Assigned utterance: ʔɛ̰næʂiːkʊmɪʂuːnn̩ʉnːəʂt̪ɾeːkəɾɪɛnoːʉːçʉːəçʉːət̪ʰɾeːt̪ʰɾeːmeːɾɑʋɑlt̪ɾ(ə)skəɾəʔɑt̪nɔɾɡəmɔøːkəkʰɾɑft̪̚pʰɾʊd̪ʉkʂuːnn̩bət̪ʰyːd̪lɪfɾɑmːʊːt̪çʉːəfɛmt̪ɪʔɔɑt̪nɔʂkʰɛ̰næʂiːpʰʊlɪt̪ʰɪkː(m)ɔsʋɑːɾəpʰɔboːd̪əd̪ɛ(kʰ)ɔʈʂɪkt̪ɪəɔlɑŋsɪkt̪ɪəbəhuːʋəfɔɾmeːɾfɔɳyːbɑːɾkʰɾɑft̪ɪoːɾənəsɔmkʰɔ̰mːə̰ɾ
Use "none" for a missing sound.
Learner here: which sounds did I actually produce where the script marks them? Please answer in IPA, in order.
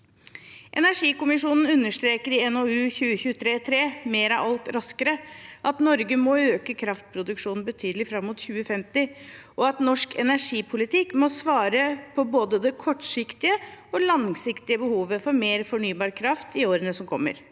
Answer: ɑ, m, kʰ

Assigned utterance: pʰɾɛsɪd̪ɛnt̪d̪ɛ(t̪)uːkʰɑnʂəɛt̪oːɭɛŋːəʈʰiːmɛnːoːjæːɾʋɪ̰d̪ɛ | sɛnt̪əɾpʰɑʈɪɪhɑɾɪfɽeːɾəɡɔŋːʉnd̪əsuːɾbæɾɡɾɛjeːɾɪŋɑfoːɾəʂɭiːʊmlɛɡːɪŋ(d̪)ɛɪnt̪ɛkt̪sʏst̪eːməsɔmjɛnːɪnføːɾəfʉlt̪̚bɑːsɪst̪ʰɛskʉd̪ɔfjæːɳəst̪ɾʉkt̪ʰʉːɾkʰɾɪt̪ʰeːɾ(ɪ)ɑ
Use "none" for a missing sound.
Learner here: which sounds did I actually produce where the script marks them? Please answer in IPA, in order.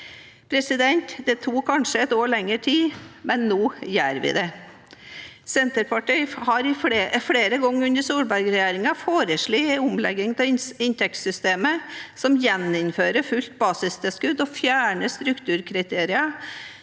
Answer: t̪ʰ, t̪, ɪ

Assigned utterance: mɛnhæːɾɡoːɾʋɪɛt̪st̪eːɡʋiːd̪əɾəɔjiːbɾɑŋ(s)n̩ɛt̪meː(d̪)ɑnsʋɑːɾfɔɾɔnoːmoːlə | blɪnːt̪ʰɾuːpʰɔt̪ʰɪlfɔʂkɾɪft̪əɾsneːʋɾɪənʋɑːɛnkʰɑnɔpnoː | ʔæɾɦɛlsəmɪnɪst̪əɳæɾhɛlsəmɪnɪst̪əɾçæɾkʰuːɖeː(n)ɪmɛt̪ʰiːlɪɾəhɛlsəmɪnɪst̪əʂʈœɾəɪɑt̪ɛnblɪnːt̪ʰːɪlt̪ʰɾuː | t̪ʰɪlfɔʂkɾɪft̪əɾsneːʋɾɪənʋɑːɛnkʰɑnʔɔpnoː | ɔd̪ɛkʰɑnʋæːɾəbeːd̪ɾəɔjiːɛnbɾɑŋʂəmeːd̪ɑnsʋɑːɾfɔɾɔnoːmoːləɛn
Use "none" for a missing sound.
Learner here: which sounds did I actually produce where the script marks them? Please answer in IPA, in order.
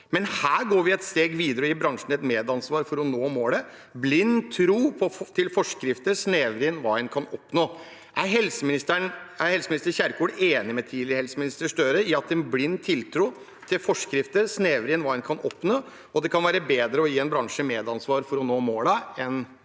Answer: ʂ, d̪, n

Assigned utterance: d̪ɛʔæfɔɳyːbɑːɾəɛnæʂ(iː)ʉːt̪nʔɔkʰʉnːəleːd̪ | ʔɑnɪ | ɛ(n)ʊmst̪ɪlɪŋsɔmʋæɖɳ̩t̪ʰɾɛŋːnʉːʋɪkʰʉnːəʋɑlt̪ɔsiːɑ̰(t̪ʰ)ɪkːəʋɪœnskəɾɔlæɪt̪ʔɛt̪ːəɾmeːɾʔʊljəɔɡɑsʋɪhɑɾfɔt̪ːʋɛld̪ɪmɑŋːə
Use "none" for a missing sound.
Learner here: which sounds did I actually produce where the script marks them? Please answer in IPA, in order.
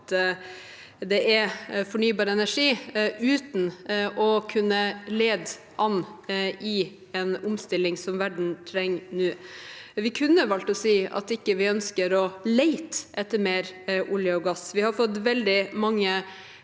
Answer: iː, n, t̪

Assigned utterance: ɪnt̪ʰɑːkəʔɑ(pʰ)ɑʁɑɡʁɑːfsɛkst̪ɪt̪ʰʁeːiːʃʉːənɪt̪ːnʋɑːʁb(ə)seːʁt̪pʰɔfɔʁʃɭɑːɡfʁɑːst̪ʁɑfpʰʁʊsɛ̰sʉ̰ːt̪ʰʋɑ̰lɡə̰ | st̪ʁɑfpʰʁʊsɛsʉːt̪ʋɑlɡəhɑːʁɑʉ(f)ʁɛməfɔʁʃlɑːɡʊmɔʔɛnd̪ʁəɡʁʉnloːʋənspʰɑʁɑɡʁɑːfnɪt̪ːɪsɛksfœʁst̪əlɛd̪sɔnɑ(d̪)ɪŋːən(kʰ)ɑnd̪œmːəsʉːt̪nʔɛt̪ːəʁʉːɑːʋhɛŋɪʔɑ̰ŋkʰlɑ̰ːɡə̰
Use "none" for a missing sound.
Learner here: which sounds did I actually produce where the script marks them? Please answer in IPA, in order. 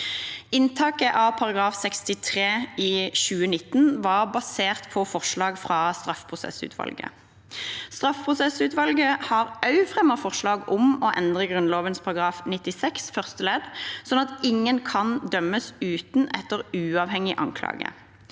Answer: pʰ, ɑ, f, t̪, kʰ

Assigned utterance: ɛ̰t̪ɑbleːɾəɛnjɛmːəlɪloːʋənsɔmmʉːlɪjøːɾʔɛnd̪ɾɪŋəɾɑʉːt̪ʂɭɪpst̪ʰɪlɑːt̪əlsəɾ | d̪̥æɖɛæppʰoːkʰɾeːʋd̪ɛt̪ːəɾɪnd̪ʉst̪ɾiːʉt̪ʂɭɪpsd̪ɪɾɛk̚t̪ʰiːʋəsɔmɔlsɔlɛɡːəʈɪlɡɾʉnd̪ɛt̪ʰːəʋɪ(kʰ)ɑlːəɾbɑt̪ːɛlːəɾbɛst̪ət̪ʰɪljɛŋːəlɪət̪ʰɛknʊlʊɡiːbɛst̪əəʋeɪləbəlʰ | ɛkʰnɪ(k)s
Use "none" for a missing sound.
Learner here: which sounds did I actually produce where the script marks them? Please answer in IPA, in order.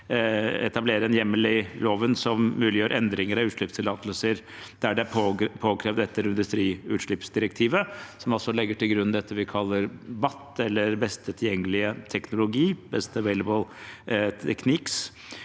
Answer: kʰ, k

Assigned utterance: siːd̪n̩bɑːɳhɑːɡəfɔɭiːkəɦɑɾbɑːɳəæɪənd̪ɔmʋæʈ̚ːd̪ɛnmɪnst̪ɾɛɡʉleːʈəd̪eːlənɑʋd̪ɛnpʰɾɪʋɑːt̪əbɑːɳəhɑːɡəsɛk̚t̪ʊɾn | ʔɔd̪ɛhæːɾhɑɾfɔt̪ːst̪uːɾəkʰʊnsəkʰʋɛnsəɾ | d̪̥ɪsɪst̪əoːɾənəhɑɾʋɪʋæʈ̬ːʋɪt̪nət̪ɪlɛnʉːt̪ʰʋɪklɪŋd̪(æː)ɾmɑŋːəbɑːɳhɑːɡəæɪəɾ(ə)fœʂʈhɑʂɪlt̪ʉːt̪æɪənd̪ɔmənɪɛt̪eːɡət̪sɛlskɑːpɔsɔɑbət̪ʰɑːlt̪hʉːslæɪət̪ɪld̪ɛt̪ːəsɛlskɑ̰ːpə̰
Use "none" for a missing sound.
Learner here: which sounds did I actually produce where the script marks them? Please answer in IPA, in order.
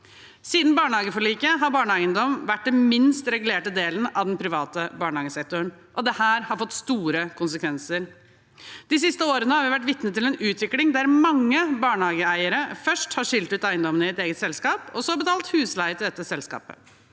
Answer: æ, ə

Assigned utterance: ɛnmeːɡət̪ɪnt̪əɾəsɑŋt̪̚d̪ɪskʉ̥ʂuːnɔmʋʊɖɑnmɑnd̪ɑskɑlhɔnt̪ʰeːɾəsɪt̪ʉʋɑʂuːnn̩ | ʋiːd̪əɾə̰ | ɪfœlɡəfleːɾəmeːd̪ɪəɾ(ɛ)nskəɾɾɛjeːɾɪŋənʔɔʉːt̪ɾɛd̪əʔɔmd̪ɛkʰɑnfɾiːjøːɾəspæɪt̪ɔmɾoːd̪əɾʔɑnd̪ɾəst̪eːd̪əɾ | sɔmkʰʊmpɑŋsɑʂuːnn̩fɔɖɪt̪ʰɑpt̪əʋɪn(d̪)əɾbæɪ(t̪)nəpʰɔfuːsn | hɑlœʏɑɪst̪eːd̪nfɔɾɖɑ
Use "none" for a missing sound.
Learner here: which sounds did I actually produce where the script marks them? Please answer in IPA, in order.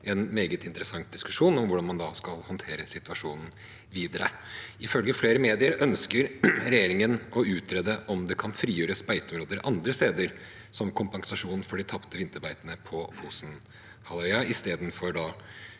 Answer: œ, t̪, t̪

